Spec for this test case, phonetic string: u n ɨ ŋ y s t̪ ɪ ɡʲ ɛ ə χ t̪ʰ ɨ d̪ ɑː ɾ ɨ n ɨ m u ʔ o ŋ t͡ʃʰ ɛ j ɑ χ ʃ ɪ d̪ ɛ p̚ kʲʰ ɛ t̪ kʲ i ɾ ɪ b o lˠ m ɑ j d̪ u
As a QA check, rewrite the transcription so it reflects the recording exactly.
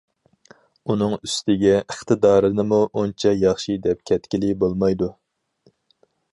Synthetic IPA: u n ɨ ŋ y s t̪ ɪ ɡʲ ɛ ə χ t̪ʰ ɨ d̪ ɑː ɾ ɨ n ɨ m u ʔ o n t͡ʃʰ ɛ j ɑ χ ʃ i d̪ ɛ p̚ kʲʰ ɛ t̪ kʲ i l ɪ b o lˠ m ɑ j d̪ u